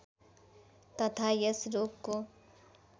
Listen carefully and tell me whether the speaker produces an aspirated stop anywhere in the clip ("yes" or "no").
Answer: yes